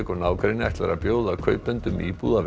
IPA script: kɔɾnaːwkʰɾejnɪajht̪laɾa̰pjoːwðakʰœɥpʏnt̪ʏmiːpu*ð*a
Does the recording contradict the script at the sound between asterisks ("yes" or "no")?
no